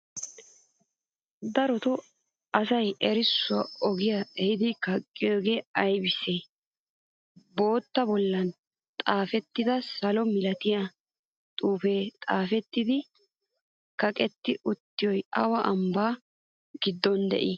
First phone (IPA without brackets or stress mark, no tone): d̪